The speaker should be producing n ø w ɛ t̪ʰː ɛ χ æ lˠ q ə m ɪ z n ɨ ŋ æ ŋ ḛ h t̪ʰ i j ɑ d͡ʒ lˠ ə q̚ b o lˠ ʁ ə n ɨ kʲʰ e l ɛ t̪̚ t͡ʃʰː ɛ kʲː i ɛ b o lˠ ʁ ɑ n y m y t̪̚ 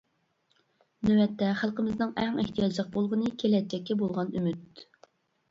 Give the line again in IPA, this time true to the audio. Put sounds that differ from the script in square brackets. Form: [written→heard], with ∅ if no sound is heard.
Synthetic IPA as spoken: n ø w ɛ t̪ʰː ɛ χ æ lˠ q ə m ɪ z n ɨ ŋ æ ŋ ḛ h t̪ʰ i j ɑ d͡ʒ lˠ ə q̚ b o lˠ ʁ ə n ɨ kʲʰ e l ɛ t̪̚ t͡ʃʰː ɛ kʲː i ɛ b o lˠ ʁ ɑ n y m y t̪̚